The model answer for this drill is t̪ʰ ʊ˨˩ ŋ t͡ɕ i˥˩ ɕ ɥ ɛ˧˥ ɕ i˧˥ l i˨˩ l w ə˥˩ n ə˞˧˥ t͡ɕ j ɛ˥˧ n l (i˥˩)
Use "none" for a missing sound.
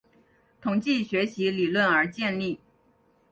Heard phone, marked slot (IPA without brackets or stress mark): i˥˩